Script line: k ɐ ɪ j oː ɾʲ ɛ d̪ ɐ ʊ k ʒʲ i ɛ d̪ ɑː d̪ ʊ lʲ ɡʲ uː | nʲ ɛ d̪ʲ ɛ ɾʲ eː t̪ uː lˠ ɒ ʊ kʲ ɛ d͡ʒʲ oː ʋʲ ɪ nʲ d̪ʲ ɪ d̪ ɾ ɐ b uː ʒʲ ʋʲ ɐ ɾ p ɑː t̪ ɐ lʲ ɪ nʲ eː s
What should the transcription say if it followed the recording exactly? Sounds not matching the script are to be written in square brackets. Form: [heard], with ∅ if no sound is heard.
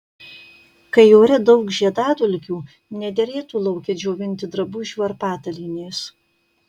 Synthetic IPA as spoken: k ɐ ɪ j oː ɾʲ ɛ d̪ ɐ ʊ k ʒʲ i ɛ d̪ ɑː d̪ ʊ lʲ [kʲ] uː | nʲ ɛ d̪ʲ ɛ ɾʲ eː t̪ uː lˠ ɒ ʊ kʲ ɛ d͡ʒʲ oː ʋʲ ɪ nʲ [t̪ʲ] ɪ d̪ ɾ ɐ b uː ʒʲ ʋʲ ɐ ɾ p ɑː t̪ ɐ lʲ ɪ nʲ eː s